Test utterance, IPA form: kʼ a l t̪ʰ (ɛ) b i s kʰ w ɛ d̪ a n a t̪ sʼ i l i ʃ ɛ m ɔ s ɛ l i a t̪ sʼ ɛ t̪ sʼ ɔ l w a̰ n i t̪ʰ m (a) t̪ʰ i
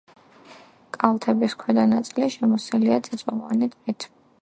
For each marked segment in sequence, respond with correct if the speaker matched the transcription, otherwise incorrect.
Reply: correct, incorrect: ɛ

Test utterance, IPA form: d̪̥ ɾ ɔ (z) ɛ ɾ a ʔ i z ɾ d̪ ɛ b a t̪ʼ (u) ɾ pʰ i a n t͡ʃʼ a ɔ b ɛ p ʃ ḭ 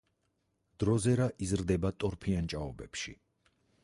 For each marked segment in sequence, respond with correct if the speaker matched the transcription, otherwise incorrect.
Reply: correct, incorrect: ɔ

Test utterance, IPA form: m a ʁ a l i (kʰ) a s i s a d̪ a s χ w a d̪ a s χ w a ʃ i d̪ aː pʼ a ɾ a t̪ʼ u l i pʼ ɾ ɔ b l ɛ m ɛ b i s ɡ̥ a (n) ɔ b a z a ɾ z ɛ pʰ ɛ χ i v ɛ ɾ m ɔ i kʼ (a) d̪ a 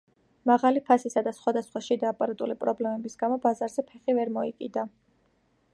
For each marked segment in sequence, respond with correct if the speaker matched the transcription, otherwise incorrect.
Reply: incorrect: pʰ, incorrect: m, incorrect: i

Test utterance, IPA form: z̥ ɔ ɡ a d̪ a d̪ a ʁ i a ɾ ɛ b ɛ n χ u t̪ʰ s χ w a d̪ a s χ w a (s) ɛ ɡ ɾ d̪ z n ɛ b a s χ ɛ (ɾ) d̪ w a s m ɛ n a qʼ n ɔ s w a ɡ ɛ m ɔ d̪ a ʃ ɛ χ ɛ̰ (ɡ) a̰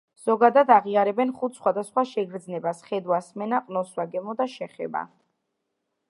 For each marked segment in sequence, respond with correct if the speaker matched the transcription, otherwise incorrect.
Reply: incorrect: ʃ, incorrect: none, incorrect: b

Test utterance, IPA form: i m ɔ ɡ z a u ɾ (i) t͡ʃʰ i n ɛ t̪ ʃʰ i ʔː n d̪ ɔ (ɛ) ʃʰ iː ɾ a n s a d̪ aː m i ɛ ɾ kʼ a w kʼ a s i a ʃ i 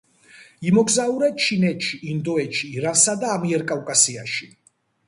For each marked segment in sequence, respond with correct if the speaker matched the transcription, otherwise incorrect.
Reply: incorrect: ɛ, correct

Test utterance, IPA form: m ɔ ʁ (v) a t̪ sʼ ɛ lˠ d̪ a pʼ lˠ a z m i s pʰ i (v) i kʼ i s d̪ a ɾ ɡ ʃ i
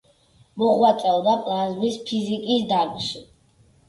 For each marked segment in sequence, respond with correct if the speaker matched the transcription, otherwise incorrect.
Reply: incorrect: w, incorrect: z

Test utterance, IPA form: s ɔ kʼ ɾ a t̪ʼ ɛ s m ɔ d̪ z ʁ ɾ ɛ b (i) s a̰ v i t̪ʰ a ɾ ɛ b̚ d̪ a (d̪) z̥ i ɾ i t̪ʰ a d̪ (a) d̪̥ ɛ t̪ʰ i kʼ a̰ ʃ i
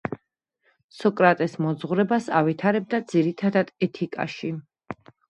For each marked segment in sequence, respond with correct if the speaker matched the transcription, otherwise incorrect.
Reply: incorrect: a, correct, correct

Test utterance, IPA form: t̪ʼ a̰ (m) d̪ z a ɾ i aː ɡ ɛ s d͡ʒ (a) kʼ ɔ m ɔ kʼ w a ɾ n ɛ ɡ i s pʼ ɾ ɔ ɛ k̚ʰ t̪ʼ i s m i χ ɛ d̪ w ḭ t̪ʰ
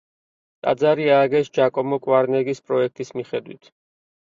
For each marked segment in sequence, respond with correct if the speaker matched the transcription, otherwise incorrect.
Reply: incorrect: none, correct

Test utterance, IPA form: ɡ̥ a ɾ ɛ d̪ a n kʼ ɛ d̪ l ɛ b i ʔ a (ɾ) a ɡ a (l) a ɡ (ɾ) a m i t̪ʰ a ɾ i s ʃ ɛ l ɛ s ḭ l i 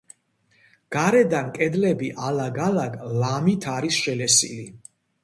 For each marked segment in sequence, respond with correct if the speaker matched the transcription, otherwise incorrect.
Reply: incorrect: l, correct, incorrect: l

